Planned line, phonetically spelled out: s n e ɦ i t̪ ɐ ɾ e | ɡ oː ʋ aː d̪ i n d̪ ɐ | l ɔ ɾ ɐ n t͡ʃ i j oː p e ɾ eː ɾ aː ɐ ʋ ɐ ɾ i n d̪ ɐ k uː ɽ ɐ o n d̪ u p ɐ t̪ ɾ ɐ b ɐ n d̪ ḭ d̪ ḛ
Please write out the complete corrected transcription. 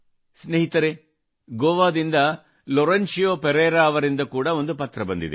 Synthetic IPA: s n e ɦ i t̪ ɐ ɾ e | ɡ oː ʋ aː d̪ i n d̪ ɐ | l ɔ ɾ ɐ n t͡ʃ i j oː p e ɾ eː ɾ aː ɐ ʋ ɐ ɾ i n d̪ ɐ k uː ɽ ɐ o n d̪ u p ɐ t̪ ɾ ɐ b ɐ n d̪ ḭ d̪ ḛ